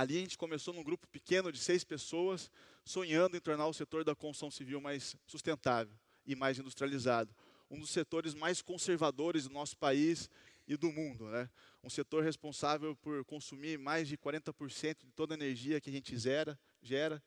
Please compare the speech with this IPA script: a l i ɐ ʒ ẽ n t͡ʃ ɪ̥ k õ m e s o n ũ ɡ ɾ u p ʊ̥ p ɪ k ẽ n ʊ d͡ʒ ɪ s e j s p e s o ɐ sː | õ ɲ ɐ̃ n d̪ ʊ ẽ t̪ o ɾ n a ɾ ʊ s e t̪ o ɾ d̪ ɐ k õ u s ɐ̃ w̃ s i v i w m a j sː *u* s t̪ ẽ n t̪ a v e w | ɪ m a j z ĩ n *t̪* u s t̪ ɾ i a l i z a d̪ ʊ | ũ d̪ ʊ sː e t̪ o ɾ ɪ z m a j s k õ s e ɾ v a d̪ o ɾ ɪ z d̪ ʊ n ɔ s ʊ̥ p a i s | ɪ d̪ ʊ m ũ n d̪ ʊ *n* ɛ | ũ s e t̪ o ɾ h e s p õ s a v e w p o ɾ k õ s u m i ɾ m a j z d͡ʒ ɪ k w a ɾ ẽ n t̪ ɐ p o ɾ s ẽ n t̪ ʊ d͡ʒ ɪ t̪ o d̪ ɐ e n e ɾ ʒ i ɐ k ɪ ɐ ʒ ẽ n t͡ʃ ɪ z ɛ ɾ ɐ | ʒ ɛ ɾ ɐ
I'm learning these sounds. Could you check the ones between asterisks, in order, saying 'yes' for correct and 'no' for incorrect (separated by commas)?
yes, no, yes